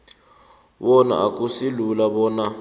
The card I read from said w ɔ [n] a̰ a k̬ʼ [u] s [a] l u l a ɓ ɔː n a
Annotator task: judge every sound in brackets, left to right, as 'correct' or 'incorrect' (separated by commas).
correct, correct, incorrect